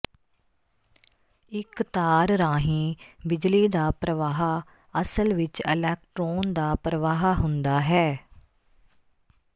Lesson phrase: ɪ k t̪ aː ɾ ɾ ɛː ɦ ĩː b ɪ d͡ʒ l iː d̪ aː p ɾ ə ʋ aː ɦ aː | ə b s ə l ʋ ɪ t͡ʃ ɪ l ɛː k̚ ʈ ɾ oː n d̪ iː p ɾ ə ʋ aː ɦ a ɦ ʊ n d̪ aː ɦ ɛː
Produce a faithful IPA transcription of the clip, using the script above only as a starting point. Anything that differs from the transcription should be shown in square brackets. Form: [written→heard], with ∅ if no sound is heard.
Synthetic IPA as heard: ɪ k t̪ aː ɾ ɾ [ɛː→aː] ɦ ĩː b ɪ d͡ʒ l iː d̪ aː p ɾ ə ʋ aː ɦ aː | ə [b→∅] s ə l ʋ ɪ t͡ʃ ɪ l ɛː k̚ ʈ ɾ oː n d̪ [iː→aː] p ɾ ə ʋ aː ɦ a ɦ ʊ n d̪ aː ɦ ɛː